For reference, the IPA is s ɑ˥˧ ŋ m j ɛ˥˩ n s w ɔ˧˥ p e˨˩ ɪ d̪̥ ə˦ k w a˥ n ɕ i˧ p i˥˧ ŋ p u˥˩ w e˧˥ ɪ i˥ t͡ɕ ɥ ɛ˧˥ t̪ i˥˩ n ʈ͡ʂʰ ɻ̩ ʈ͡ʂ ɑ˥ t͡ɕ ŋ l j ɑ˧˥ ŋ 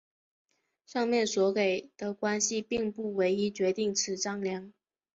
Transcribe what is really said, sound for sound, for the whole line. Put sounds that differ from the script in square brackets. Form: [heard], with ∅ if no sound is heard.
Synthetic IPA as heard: [ʂ] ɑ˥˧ ŋ m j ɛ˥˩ n s w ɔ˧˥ [k] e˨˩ ɪ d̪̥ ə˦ k w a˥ n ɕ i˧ p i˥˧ ŋ p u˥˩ w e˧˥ ɪ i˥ t͡ɕ ɥ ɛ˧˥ t̪ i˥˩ [ŋ] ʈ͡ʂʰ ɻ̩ ʈ͡ʂ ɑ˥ [∅] ŋ l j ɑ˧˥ ŋ